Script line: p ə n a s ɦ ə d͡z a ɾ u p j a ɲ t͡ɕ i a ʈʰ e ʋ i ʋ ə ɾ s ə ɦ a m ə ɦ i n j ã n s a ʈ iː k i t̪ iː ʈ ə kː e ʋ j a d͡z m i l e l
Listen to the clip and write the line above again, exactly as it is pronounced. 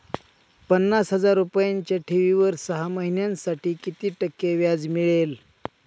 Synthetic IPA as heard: p ə nː a s ɦ ə d͡z a ɾ u p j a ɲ t͡ɕ j a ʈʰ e ʋ i ʋ ə ɾ s ə ɦ a m ə ɦ i n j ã n s a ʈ iː k i t̪ iː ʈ ə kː e ʋ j a d͡z m i ɭ e l